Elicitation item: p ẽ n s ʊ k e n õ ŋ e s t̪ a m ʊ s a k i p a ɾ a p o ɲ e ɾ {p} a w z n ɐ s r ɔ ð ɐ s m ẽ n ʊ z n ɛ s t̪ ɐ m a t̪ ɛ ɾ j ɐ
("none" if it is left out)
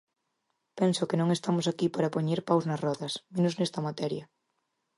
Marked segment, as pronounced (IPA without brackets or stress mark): p